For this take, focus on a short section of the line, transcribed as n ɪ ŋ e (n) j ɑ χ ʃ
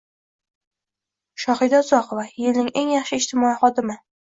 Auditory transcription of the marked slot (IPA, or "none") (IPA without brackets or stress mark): ŋ